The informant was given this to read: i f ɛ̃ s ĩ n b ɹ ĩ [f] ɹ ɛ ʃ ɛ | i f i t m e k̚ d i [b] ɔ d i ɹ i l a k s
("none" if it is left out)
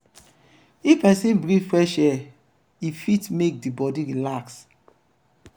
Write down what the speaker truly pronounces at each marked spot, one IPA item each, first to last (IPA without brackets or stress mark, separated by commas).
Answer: f, b